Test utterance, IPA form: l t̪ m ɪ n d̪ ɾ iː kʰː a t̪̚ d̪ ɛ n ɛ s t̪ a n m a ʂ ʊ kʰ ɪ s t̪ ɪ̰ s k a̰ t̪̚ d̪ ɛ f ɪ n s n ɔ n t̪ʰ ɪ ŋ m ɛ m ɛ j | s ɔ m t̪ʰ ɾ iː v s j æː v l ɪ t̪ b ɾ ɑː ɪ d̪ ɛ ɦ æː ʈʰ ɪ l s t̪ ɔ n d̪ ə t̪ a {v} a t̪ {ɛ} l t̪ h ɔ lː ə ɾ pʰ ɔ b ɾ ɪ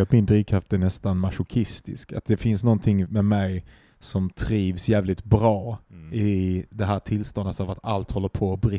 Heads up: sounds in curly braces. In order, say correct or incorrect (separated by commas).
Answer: correct, incorrect